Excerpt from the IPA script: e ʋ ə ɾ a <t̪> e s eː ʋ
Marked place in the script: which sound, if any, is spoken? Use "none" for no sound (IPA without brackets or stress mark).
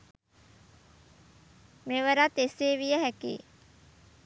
t̪